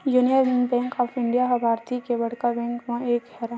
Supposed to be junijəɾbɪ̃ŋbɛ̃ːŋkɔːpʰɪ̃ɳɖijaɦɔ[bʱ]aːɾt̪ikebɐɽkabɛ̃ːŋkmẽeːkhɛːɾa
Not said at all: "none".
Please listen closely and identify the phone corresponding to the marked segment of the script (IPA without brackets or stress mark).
bʱ